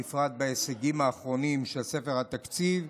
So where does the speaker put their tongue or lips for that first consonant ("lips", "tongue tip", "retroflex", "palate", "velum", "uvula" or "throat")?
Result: lips